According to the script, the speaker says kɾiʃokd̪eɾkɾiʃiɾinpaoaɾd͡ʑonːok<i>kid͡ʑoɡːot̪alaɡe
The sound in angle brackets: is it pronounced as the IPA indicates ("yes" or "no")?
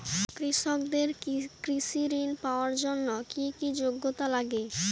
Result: yes